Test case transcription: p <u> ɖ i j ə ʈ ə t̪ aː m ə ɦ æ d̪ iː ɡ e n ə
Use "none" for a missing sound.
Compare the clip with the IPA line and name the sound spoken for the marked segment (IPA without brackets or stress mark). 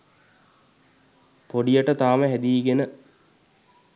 o